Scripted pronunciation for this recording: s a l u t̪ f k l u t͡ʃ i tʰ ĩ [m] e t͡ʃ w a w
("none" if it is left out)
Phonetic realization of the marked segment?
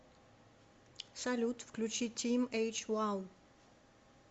m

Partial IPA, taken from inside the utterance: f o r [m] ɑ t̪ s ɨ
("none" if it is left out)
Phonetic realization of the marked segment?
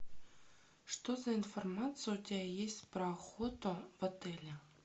m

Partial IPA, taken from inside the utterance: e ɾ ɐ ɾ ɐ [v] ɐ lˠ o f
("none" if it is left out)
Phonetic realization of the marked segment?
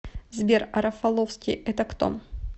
f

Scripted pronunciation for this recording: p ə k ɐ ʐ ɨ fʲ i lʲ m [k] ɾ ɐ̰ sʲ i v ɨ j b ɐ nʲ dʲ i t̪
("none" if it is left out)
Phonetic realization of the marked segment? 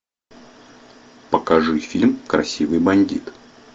k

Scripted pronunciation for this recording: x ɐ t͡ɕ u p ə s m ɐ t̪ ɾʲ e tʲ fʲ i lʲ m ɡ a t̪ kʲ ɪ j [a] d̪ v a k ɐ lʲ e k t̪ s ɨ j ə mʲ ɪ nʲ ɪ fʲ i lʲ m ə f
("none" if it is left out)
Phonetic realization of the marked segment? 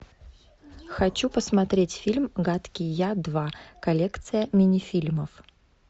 a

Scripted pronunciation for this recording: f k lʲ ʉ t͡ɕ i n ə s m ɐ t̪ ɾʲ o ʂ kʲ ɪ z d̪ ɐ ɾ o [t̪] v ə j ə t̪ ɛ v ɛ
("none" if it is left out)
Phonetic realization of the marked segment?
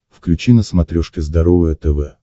none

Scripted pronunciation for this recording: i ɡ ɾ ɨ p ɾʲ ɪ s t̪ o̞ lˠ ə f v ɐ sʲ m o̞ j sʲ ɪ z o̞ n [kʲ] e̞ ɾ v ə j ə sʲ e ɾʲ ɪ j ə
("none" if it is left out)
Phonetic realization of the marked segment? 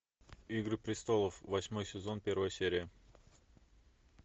pʲ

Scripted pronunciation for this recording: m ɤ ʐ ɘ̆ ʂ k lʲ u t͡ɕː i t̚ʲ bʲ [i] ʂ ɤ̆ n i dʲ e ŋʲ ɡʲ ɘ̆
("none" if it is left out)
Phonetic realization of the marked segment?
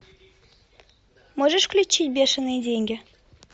e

